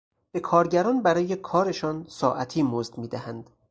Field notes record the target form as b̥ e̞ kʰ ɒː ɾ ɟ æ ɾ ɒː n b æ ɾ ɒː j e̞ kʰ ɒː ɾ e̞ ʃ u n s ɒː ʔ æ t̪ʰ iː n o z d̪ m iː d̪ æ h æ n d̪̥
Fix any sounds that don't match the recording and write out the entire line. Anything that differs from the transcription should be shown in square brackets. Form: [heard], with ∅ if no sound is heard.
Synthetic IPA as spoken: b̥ e̞ kʰ ɒː ɾ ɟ æ ɾ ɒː n b æ ɾ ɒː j e̞ kʰ ɒː ɾ e̞ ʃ [ɒ] n s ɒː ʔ æ t̪ʰ iː [m] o z d̪ m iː d̪ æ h æ n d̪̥

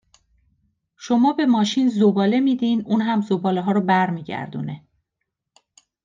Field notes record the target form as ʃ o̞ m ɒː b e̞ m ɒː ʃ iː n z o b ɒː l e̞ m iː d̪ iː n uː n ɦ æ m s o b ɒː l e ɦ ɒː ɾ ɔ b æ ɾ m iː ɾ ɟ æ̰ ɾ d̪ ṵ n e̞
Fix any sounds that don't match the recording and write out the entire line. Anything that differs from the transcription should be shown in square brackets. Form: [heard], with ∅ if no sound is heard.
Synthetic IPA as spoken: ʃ o̞ m ɒː b e̞ m ɒː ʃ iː n z o b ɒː l e̞ m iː d̪ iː n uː n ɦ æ m [z] o b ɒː l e ɦ ɒː ɾ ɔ b æ ɾ m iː [∅] ɟ æ̰ ɾ d̪ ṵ n e̞

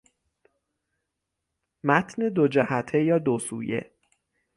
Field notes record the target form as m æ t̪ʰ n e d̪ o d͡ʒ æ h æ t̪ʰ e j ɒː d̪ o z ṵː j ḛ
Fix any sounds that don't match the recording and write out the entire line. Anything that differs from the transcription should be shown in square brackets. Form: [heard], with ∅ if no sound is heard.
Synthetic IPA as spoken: m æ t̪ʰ n e d̪ o d͡ʒ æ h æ t̪ʰ e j ɒː d̪ o [s] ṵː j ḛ

